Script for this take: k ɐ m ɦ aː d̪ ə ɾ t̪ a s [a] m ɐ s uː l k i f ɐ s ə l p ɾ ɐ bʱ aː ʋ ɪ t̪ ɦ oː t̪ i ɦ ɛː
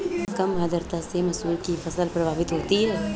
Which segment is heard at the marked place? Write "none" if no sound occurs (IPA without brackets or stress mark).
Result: e